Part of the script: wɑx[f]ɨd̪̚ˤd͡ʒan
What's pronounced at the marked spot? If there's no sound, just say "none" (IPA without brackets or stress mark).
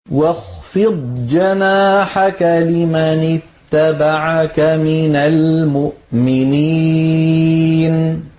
f